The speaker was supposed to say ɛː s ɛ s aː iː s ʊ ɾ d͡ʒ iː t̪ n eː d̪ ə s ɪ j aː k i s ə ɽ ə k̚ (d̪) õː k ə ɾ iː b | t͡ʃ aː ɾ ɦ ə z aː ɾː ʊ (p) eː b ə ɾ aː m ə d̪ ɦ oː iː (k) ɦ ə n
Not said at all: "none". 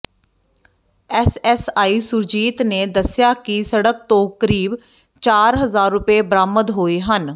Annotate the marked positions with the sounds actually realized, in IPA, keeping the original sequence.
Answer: t̪, p, none

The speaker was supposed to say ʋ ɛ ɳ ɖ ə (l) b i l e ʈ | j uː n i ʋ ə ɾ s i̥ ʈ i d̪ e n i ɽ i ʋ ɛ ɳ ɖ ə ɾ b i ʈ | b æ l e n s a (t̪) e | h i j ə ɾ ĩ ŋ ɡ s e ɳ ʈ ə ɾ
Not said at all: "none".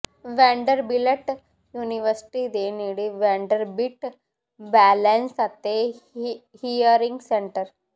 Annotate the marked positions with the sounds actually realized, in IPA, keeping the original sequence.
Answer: ɾ, t̪

